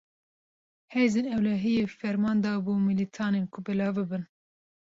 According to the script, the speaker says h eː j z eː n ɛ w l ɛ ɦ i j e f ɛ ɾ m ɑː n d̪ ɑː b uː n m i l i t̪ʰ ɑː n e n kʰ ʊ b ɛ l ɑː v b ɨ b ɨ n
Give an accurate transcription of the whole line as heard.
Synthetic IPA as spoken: h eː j z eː n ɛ w l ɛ ɦ i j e f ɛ ɾ m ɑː n d̪ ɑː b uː m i l i t̪ʰ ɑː n e n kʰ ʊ b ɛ l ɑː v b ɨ b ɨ n